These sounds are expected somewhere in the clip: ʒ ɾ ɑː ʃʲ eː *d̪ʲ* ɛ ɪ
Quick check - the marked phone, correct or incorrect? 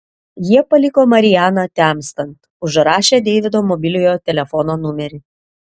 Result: correct